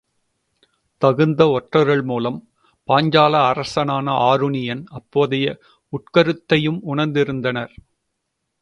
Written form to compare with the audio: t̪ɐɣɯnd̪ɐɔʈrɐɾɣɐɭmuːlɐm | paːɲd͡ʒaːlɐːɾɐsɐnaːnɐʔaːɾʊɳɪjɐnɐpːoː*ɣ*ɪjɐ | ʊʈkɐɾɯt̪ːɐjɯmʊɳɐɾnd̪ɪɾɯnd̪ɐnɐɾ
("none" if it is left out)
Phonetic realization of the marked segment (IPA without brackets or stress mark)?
ð